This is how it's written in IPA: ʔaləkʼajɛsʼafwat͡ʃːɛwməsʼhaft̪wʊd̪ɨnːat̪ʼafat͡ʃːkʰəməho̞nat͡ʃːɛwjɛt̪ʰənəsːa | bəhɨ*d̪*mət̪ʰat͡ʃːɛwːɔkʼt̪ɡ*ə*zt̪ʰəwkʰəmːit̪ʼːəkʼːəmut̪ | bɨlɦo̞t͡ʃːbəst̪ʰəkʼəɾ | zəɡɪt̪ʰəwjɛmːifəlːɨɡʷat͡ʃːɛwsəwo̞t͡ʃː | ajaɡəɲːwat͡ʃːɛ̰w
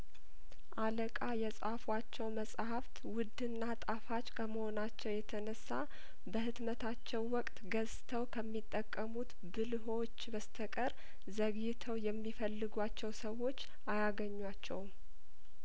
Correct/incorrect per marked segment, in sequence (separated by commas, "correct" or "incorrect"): incorrect, correct